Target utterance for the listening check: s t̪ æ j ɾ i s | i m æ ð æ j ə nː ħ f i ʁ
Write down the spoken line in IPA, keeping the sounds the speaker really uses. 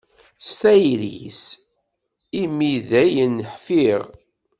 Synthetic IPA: s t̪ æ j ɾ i s | i m i ð æ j ə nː ħ f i ʁ